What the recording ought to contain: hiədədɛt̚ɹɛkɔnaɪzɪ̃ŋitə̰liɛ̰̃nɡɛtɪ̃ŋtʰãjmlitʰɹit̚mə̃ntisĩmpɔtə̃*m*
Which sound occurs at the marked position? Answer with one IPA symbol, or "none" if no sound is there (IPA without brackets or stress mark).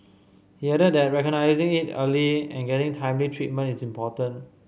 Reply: n